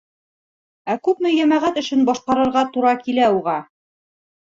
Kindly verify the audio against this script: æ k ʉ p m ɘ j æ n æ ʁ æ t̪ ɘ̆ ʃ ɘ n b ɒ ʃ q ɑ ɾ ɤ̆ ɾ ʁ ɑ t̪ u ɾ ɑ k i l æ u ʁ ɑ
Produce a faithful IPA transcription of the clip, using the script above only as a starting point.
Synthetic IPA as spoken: æ k ʉ p m ɘ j æ m æ ʁ æ t̪ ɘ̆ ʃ ɘ n b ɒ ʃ q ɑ ɾ ɤ̆ ɾ ʁ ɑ t̪ u ɾ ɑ k i l æ u ʁ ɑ